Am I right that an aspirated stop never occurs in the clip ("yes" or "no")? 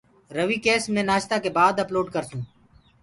yes